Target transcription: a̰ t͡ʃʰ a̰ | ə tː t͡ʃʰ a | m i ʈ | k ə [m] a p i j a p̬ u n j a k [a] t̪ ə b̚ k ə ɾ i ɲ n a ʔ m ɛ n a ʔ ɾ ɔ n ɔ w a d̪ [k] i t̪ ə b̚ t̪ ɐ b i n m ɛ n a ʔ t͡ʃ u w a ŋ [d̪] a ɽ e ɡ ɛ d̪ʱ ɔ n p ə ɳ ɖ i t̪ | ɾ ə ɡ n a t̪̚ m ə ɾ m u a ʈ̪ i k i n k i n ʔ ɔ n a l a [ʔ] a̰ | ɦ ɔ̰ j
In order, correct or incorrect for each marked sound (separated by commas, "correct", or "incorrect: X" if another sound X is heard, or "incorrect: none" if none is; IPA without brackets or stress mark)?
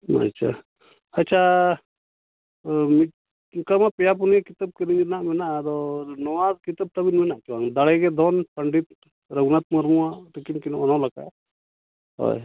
correct, incorrect: i, correct, correct, incorrect: k